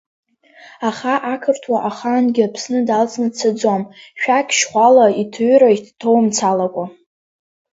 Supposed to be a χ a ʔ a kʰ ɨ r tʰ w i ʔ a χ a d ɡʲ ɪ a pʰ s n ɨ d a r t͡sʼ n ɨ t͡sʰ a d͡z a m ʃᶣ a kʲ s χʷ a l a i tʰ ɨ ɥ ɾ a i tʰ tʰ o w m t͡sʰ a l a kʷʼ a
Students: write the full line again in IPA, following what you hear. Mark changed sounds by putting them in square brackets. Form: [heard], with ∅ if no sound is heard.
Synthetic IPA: a χ a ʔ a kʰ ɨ r tʰ w [a] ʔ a χ a [n] ɡʲ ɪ a pʰ s n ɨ d a [l] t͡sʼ n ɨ t͡sʰ a d͡z a m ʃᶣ a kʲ [ʃ] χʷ a l a i tʰ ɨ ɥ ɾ a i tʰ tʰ o w m t͡sʰ a l a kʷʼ a